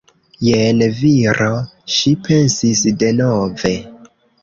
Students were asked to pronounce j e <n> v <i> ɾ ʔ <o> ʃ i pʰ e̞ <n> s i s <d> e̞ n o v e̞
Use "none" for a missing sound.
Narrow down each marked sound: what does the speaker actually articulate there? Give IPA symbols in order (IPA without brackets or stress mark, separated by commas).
n, i, o, n, d